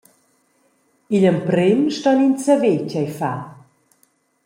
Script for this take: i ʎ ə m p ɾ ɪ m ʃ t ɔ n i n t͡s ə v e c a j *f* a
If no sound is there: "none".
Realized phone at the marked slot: f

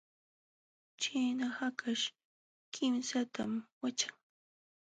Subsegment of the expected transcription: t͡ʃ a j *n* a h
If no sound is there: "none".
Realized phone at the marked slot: n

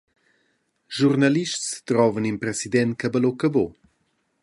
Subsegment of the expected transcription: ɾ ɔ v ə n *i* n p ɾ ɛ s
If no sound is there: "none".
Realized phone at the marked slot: i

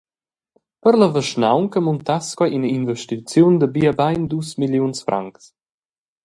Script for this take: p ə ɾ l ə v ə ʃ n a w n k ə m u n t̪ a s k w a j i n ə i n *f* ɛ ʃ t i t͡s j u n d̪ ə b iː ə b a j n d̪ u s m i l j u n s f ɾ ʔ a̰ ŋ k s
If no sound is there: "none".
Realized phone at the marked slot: v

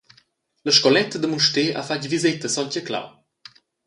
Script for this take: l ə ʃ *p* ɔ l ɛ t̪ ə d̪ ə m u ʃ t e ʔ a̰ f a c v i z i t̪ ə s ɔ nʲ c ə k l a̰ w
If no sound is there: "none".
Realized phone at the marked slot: k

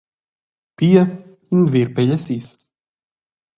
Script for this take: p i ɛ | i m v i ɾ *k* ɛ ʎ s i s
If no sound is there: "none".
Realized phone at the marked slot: p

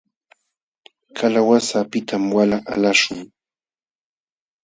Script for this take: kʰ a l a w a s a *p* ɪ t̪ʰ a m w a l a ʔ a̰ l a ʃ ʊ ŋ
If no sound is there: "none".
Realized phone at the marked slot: p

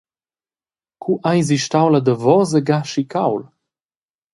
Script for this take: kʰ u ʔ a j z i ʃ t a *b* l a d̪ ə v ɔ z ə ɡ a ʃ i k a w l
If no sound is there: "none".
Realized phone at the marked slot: w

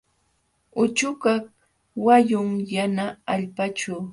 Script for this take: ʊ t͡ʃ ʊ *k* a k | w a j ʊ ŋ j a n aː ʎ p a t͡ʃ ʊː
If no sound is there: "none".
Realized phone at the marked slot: k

